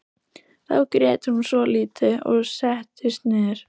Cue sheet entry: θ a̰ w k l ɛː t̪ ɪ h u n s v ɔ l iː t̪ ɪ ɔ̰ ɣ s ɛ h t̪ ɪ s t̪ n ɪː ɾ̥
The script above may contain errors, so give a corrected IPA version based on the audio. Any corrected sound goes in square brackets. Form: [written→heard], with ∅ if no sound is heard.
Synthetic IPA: θ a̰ w k [l→ɾ] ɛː t̪ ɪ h u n s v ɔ l iː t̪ ɪ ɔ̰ ɣ s ɛ h t̪ ɪ s t̪ n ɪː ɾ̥

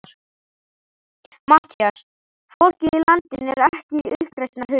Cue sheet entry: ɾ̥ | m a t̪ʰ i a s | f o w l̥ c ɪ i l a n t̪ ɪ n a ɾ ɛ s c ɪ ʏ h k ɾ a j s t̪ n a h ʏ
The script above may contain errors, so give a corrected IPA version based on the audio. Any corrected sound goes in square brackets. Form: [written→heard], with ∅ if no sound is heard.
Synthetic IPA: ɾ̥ | m a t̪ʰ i a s | f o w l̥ c ɪ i l a n t̪ ɪ n [a→ɛ] ɾ ɛ [s→h] c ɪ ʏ h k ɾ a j s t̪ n a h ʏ

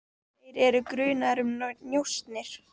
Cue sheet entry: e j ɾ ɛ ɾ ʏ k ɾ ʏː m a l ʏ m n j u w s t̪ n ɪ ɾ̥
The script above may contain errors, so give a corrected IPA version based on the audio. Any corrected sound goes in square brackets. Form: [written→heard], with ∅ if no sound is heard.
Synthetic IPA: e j ɾ ɛ ɾ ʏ k ɾ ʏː [m→n] a [l→ɾ] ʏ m n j [u→o] w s t̪ n ɪ ɾ̥

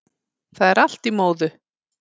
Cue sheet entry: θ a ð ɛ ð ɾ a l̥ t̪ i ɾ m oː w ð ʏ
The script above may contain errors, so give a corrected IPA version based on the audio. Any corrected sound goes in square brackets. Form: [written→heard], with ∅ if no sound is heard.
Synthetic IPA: θ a ð ɛ [ð→∅] ɾ a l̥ t̪ i [ɾ→∅] m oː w ð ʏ

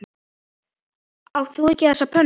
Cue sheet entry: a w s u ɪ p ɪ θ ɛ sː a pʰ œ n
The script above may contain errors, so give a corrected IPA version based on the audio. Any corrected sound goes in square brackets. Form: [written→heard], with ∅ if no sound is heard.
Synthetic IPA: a w [s→θ] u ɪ [p→c] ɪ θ ɛ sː a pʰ œ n

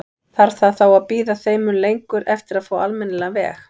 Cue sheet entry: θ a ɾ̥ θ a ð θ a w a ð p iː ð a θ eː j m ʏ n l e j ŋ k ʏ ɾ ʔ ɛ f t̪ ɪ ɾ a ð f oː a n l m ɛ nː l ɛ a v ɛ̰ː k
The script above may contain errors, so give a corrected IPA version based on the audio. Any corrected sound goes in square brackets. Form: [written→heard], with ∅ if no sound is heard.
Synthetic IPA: θ a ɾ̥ θ a ð θ a w a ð p iː ð a θ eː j m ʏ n l e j ŋ k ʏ ɾ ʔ ɛ f t̪ ɪ ɾ a ð f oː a [n→∅] l m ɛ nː l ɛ a v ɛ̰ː [k→x]

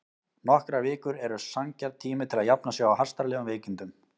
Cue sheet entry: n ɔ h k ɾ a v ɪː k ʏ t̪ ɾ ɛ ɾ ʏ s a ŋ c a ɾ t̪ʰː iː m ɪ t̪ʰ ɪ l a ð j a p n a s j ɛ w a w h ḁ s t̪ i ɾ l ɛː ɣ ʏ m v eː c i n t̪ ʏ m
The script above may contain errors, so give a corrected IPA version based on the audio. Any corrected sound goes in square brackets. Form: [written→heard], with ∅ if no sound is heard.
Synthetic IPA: n ɔ h k ɾ a v ɪː k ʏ [t̪→∅] ɾ ɛ ɾ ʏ s a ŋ c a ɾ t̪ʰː iː m ɪ t̪ʰ ɪ l a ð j a p n a s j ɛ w a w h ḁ s t̪ [i→a] ɾ l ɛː ɣ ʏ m v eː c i n t̪ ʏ m

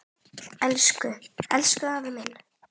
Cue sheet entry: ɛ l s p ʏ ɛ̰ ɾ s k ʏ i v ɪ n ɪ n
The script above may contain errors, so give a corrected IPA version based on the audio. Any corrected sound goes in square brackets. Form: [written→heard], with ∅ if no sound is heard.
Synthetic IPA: ɛ l s [p→k] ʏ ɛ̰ [ɾ→l] s k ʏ [i→a] v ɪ [n→m] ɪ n

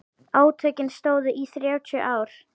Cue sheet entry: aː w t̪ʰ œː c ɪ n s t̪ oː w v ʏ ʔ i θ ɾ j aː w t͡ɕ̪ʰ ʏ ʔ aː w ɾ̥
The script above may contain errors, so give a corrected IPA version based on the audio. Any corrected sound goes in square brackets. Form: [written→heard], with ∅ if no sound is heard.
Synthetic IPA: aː w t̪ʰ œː c ɪ n s t̪ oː w [v→ð] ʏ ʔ i θ ɾ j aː w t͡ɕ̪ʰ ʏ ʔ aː w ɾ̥

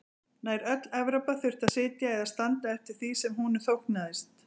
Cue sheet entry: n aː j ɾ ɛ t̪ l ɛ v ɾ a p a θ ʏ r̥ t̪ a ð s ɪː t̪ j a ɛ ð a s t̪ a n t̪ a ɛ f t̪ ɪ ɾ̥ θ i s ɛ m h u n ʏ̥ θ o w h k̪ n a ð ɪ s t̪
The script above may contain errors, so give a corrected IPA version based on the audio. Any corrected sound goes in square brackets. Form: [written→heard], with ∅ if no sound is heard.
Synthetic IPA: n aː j ɾ [ɛ→œ] t̪ l ɛ v ɾ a p a θ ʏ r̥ t̪ a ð s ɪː t̪ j a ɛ ð a s t̪ a n t̪ a ɛ f t̪ ɪ ɾ̥ θ i s ɛ m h u n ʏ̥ θ o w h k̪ n a ð ɪ s t̪

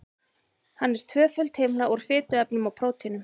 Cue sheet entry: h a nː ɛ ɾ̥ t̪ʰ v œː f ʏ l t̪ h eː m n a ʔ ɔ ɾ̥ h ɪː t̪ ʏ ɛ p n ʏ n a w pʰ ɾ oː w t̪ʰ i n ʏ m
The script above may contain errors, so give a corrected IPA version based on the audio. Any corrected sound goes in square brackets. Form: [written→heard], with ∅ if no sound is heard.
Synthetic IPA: h a nː ɛ ɾ̥ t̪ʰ v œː f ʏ l t̪ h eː m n a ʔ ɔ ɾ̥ [h→f] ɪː t̪ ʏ ɛ p n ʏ [n→m] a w pʰ ɾ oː w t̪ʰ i n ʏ m

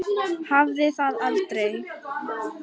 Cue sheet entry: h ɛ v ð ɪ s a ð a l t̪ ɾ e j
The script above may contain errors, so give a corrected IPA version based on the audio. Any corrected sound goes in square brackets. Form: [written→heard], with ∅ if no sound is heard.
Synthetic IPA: h [ɛ→a] v ð ɪ [s→θ] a ð a l t̪ ɾ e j

